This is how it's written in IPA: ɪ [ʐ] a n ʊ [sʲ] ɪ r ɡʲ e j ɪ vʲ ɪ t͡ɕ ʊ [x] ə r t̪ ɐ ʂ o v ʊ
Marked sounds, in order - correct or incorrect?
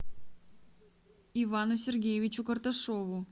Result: incorrect, correct, incorrect

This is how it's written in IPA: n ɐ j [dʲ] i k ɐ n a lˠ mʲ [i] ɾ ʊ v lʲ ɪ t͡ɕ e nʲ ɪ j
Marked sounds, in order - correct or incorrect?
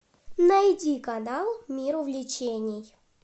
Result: correct, correct

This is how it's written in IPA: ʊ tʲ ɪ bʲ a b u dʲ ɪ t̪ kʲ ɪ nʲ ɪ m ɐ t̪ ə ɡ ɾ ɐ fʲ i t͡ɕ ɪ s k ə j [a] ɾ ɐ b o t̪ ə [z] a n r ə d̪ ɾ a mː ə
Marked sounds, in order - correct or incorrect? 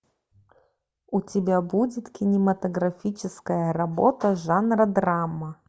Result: incorrect, incorrect

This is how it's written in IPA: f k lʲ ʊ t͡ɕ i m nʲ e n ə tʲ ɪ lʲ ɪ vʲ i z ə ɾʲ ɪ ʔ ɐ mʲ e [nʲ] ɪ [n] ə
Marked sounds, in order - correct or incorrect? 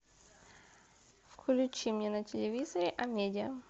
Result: incorrect, incorrect

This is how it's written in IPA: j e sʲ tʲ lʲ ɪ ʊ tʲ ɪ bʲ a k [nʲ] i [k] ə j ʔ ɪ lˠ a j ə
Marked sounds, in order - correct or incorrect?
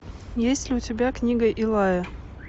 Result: correct, incorrect

